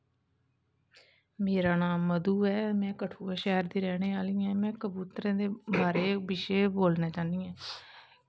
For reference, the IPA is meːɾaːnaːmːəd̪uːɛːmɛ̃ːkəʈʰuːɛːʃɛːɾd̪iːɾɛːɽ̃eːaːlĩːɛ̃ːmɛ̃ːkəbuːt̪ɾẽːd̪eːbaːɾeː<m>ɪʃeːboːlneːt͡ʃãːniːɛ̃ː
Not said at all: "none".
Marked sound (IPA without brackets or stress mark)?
b